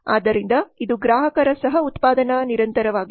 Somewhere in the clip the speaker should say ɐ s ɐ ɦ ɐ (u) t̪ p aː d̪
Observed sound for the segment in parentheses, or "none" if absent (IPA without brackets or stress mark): u